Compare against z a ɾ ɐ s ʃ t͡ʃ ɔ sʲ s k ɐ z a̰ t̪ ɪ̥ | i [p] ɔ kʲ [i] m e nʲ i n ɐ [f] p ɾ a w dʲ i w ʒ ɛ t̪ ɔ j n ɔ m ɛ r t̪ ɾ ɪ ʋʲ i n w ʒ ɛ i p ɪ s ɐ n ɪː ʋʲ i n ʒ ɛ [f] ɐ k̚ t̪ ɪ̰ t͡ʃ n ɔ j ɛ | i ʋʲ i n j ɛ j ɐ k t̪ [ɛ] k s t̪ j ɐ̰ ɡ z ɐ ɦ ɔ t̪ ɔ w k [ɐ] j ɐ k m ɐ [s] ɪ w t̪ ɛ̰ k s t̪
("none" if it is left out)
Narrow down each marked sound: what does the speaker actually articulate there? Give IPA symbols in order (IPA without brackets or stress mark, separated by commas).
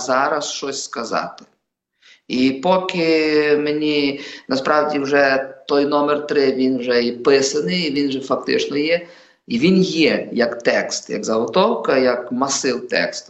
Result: p, ɪ, s, f, ɛ, ɐ, s